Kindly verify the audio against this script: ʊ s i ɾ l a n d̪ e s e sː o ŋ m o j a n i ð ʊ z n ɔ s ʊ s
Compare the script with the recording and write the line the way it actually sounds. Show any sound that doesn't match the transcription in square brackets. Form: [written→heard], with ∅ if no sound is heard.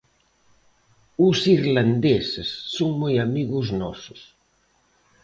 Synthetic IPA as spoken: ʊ s i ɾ l a n d̪ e s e sː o ŋ m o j a [n→m] i [ð→ɣ] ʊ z n ɔ s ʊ s